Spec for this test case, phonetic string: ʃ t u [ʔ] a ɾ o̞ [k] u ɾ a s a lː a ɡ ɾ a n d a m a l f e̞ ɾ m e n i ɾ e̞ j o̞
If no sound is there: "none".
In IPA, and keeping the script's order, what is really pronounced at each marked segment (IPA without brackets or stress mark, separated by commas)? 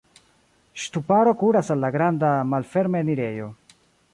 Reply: p, k